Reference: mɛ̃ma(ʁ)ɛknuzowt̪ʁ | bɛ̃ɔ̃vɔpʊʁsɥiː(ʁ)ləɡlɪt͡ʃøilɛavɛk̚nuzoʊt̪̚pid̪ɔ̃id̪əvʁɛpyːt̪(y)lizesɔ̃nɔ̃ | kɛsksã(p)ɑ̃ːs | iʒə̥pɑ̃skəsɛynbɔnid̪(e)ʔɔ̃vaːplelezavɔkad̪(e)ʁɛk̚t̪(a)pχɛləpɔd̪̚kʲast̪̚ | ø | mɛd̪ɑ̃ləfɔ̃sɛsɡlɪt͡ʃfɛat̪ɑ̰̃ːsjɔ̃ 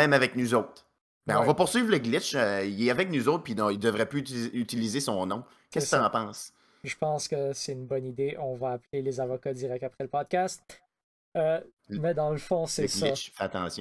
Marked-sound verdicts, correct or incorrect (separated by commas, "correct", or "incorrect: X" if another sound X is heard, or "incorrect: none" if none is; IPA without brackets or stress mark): incorrect: v, incorrect: v, incorrect: i, correct, correct, incorrect: i, correct